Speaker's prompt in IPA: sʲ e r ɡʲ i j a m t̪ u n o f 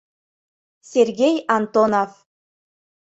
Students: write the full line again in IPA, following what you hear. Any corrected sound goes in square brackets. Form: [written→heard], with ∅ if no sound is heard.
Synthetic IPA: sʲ e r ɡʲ [i→e] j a [m→n] t̪ [u→o] n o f